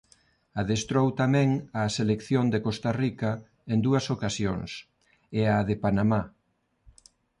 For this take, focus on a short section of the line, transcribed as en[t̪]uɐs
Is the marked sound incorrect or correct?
incorrect